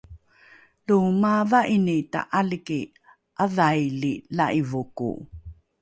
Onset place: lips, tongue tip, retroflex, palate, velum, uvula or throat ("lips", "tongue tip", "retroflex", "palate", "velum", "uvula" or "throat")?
tongue tip